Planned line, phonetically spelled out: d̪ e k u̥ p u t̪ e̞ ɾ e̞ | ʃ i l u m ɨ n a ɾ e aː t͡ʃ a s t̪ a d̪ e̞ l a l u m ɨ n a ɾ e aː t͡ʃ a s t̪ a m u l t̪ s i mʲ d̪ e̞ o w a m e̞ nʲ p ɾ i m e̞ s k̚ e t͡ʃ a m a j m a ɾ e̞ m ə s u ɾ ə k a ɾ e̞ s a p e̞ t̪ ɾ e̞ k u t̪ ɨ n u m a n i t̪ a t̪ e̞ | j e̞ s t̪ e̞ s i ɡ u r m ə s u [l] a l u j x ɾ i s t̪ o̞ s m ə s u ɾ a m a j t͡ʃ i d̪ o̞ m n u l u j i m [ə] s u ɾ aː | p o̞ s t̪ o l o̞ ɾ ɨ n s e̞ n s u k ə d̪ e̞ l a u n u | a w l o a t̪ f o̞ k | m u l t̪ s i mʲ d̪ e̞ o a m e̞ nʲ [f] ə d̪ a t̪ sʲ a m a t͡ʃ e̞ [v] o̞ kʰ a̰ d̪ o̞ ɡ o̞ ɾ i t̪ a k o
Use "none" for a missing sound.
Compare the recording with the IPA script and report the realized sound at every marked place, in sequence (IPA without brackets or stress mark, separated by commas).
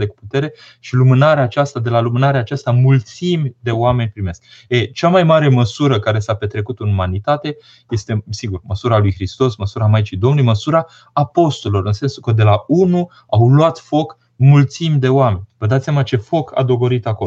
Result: ɾ, ə, v, f